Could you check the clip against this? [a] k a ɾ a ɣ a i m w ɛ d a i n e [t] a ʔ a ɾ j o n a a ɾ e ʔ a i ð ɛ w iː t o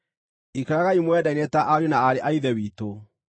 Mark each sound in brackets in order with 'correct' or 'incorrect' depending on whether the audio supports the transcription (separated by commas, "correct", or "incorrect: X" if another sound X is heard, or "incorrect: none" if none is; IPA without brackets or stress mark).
incorrect: i, correct